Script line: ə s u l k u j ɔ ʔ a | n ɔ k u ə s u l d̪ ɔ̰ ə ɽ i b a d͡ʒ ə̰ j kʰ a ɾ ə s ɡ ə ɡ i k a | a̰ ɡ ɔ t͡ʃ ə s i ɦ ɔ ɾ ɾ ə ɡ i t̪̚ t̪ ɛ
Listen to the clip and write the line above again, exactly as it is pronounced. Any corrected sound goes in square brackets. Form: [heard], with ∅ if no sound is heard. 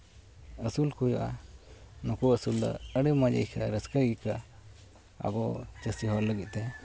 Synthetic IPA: ə s u l k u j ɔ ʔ a | n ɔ k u ə s u l d̪ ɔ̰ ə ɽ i [m] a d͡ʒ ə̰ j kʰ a ɾ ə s [k] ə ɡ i k a | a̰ ɡ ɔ t͡ʃ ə s i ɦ ɔ ɾ [l] ə ɡ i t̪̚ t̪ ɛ